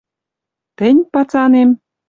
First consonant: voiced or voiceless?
voiceless